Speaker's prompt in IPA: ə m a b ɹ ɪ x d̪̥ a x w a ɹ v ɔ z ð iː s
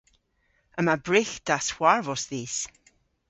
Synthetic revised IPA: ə m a b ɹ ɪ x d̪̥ a s w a ɹ v ɔ s ð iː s

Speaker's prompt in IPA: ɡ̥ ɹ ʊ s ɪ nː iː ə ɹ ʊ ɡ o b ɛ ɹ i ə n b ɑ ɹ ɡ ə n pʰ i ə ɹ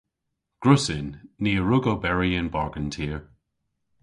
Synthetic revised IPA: ɡ̥ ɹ ʊ s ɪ nː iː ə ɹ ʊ ɡ o b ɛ ɹ i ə n b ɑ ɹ ɡ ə n tʰ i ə ɹ

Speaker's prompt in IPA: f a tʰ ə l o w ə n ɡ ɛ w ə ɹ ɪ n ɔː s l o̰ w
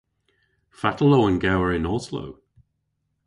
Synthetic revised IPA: f a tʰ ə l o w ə n ɡ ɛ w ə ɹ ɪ n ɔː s l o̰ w

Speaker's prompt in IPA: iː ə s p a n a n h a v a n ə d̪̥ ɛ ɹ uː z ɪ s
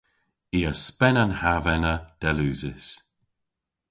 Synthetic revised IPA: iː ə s p ɛ n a n h a v ɛ n ə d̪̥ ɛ l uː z ɪ s

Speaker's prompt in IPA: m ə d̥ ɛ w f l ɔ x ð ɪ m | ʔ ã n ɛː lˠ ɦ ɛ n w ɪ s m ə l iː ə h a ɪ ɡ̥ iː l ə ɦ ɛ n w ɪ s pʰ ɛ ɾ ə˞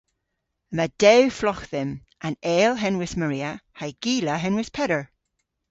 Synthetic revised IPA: m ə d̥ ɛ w f l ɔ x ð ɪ m | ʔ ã n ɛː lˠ ɦ ɛ n w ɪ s m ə ɹ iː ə h a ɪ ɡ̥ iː l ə ɦ ɛ n w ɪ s pʰ ɛ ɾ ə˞

